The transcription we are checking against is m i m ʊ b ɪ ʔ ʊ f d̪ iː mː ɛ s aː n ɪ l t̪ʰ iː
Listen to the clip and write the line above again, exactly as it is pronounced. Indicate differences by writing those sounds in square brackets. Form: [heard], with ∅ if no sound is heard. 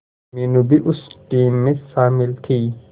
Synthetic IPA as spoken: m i [n] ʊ b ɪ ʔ ʊ [s] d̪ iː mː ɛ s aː [m] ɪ l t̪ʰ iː